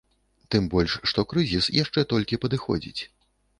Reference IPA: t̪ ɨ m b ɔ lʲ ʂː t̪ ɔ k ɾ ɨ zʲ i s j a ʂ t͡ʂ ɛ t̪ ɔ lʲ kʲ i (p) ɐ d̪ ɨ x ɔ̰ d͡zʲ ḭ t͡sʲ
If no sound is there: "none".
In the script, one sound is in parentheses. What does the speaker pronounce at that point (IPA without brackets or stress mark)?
p